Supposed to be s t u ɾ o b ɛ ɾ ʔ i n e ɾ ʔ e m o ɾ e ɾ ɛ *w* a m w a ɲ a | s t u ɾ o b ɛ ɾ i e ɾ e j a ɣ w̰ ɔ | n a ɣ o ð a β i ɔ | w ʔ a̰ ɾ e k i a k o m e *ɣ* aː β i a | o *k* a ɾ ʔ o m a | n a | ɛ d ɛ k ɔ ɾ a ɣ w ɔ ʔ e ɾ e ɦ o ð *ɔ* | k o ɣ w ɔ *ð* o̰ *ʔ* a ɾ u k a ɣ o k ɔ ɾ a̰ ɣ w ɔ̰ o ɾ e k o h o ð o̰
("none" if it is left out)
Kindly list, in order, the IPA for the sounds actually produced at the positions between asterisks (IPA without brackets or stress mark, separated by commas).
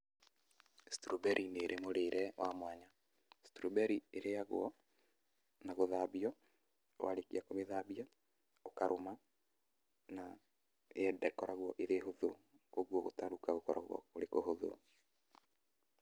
w, ð, k, o, ɣ, t